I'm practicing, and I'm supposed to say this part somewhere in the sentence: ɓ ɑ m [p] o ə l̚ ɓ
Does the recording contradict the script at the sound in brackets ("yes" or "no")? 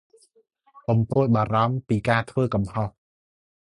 no